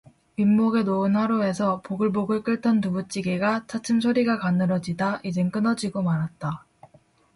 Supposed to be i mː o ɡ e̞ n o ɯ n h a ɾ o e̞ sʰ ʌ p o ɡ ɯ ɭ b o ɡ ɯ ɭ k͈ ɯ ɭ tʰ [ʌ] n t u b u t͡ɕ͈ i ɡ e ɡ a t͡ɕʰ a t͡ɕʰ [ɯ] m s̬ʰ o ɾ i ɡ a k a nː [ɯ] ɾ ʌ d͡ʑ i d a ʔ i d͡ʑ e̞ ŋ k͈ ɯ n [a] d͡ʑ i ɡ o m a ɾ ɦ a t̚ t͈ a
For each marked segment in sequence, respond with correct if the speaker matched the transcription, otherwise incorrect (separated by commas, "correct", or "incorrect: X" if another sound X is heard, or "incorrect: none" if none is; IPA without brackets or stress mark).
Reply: correct, correct, correct, incorrect: ʌ